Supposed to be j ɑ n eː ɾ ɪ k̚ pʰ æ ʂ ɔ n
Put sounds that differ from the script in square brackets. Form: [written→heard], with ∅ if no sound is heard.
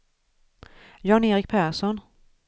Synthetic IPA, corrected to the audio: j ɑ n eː ɾ ɪ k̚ pʰ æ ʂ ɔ n